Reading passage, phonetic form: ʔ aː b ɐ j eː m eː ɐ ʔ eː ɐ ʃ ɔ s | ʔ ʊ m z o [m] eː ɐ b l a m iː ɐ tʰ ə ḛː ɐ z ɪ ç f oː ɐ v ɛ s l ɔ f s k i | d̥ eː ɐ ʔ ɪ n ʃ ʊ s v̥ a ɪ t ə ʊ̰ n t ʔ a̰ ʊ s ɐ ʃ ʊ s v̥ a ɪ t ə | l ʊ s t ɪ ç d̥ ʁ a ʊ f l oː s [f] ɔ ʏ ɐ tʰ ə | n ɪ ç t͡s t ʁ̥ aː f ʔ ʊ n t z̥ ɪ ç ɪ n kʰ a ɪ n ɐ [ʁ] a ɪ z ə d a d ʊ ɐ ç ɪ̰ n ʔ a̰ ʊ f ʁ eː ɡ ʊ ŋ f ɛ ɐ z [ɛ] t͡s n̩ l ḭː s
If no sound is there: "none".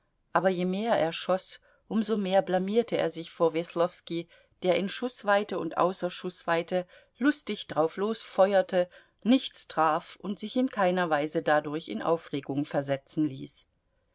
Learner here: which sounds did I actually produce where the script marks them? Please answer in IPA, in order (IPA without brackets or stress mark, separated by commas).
m, f, v, ɛ